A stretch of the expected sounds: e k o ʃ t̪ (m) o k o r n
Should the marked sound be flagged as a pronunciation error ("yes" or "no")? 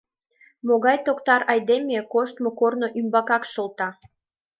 no